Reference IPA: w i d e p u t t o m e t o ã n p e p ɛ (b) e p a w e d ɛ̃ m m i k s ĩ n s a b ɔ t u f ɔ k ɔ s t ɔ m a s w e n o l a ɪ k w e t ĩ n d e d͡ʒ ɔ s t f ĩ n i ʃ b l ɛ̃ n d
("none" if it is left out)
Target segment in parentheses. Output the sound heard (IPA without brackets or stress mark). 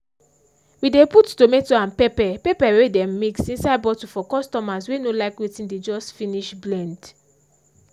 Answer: p